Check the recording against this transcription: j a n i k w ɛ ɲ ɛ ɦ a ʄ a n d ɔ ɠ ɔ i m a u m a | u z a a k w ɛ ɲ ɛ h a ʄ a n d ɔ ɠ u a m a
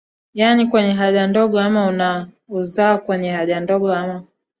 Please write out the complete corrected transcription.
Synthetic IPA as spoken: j a n i k w ɛ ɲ ɛ ɦ a ʄ a n d ɔ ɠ ɔ a m a u n a | u z a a k w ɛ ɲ ɛ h a ʄ a n d ɔ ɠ ɔ a m a